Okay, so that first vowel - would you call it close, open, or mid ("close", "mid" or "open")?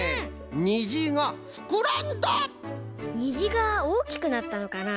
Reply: close